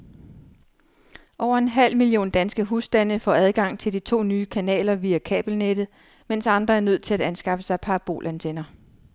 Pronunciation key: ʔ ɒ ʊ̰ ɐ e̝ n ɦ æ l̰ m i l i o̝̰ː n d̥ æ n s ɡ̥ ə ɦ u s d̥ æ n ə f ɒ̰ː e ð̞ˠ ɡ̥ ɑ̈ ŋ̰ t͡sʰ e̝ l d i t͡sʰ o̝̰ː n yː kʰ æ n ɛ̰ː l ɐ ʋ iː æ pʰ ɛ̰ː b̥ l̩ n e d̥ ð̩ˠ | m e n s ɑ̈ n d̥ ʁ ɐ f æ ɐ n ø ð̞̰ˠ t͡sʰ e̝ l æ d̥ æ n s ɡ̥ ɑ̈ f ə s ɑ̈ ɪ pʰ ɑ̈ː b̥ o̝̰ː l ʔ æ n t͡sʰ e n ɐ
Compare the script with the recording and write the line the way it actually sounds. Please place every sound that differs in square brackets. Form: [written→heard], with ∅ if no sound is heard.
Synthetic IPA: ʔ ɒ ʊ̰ ɐ e̝ n ɦ æ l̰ m i l i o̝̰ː n d̥ æ n s ɡ̥ ə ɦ u s d̥ æ n ə f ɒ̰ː [e→æ] ð̞ˠ ɡ̥ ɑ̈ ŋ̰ t͡sʰ e̝ l d i t͡sʰ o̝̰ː n yː kʰ æ n ɛ̰ː l ɐ ʋ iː æ [pʰ→kʰ] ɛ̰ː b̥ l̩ n e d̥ ð̩ˠ | m e n s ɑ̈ n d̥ ʁ ɐ [f→∅] æ ɐ n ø ð̞̰ˠ t͡sʰ e̝ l æ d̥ æ n s ɡ̥ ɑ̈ f ə s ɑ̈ ɪ pʰ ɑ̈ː b̥ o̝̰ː l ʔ æ n t͡sʰ e n ɐ

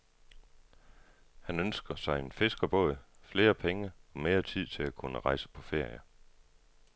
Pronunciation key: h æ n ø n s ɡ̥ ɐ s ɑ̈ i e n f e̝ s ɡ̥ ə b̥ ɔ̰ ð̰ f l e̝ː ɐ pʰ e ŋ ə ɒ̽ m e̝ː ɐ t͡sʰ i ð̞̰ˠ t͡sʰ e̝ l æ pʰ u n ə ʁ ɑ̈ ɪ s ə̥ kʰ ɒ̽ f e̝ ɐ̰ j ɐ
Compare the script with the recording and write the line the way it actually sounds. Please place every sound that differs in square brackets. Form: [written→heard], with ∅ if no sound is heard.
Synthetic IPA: h æ n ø n s ɡ̥ ɐ s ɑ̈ [i→ɪ] e n f e̝ s ɡ̥ [ə→ɐ] b̥ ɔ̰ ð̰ f l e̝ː ɐ pʰ e ŋ ə ɒ̽ m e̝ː ɐ t͡sʰ i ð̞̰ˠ t͡sʰ e̝ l æ [pʰ→kʰ] u n ə ʁ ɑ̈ ɪ s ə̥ [kʰ→pʰ] ɒ̽ f e̝ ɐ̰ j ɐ

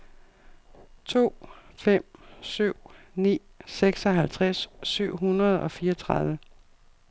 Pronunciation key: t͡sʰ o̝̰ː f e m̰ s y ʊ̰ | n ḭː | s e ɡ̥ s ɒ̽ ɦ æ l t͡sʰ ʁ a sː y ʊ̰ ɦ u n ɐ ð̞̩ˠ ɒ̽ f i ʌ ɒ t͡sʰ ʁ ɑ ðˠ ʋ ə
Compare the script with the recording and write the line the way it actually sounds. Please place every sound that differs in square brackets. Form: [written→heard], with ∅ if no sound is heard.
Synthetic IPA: t͡sʰ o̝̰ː f e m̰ s y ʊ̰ | n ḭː | s e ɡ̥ s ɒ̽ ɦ æ l t͡sʰ ʁ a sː y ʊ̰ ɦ u n ɐ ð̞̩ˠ ɒ̽ f [i→iː] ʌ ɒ t͡sʰ ʁ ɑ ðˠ ʋ ə

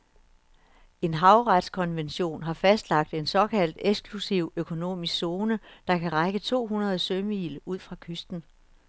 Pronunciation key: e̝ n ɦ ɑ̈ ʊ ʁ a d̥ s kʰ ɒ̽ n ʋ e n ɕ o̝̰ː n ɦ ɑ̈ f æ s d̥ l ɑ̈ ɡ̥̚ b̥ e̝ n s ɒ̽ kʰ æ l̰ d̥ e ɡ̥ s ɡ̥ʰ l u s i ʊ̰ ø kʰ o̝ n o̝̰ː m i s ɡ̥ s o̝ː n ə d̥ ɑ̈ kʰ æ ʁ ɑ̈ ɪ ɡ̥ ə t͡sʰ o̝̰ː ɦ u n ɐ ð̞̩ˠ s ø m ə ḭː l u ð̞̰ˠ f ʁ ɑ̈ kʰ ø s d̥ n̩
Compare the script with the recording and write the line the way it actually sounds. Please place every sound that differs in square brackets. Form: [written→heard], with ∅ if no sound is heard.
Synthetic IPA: e̝ n ɦ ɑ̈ ʊ ʁ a d̥ s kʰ ɒ̽ n ʋ e n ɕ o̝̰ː n ɦ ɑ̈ f æ s d̥ l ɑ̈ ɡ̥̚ [b̥→d̥] e̝ n s ɒ̽ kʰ æ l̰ d̥ e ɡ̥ s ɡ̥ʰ l u s i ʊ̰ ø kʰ o̝ n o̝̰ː m i s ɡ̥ s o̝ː n ə d̥ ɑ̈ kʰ æ ʁ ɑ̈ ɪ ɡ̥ ə t͡sʰ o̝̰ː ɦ u n ɐ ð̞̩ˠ s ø m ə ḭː l u ð̞̰ˠ f ʁ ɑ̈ kʰ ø s d̥ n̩

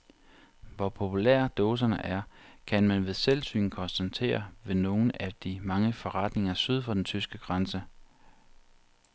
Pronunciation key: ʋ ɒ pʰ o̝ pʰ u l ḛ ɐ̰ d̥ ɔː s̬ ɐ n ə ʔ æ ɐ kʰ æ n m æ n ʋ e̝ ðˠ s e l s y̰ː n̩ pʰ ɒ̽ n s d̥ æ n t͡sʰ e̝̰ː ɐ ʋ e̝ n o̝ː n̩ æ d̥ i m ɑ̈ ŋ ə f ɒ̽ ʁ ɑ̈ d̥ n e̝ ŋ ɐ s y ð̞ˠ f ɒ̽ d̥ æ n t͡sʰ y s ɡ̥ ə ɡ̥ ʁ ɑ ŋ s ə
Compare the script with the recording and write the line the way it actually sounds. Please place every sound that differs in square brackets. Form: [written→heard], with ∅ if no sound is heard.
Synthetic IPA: ʋ ɒ pʰ o̝ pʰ u l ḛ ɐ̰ d̥ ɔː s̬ ɐ n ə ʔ æ ɐ kʰ æ n m æ n ʋ e̝ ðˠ s e l s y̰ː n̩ [pʰ→kʰ] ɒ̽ n s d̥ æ n t͡sʰ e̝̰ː ɐ ʋ e̝ n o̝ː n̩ æ d̥ i m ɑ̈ ŋ ə f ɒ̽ ʁ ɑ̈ d̥ n e̝ ŋ ɐ s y ð̞ˠ f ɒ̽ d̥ [æ→e] n t͡sʰ y s ɡ̥ ə ɡ̥ ʁ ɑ [ŋ→n] s ə

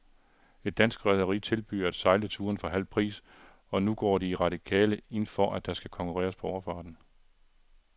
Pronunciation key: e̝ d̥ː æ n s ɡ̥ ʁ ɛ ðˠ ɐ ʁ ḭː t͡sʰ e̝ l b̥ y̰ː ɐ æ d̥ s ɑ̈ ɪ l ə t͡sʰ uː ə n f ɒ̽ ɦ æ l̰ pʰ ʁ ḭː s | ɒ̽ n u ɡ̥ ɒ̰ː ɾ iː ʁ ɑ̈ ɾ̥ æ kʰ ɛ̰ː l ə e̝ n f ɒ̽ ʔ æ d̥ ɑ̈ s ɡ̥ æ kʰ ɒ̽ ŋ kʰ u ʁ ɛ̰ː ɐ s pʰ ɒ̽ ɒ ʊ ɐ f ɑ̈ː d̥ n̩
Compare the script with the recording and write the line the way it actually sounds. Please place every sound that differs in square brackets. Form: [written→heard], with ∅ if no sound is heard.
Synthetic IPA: e̝ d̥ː æ n s ɡ̥ ʁ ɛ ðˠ ɐ ʁ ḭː t͡sʰ e̝ l b̥ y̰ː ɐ æ d̥ s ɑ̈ ɪ l ə t͡sʰ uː [ə→ɐ] n f ɒ̽ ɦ æ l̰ pʰ ʁ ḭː s | ɒ̽ n u ɡ̥ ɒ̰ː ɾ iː ʁ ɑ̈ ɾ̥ [æ→i] kʰ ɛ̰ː l ə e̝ n f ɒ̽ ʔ æ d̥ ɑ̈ s ɡ̥ æ kʰ ɒ̽ ŋ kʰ u ʁ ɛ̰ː ɐ s pʰ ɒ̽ ɒ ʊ ɐ f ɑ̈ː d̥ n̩

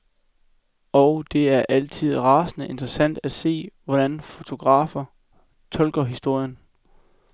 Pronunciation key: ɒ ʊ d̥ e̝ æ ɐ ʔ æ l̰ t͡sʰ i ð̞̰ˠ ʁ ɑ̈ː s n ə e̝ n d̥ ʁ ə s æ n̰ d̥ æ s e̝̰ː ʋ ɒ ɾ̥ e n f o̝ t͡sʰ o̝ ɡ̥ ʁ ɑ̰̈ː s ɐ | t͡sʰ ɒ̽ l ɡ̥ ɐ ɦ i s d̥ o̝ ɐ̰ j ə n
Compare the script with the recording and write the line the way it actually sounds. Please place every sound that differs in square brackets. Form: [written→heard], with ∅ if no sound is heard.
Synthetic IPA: ɒ ʊ d̥ e̝ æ ɐ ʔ æ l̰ t͡sʰ i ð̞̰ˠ ʁ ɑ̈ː s n ə e̝ n d̥ ʁ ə s æ n̰ d̥ æ s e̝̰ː ʋ ɒ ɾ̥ [e→æ] n f o̝ t͡sʰ o̝ ɡ̥ ʁ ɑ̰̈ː [s→f] ɐ | t͡sʰ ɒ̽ l ɡ̥ ɐ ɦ i s d̥ o̝ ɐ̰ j ə n

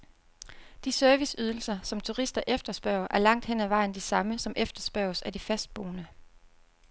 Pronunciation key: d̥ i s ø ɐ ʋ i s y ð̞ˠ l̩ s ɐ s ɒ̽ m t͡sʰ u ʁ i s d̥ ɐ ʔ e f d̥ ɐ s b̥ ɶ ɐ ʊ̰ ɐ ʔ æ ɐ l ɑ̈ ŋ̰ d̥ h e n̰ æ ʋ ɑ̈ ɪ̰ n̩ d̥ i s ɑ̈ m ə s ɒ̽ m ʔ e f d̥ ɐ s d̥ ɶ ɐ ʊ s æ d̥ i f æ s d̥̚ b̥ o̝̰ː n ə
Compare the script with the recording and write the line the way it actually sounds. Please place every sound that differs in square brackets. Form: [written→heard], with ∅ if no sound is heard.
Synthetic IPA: d̥ i s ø ɐ ʋ i s y ð̞ˠ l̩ s ɐ s ɒ̽ m t͡sʰ u ʁ i s d̥ ɐ ʔ e f d̥ ɐ s b̥ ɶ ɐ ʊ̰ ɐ ʔ æ ɐ l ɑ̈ ŋ̰ d̥ h e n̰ æ ʋ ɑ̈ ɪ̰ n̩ d̥ i s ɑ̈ m ə s ɒ̽ m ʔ e f d̥ ɐ s [d̥→b̥] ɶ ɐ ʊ s æ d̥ i f æ s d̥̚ b̥ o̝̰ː n ə

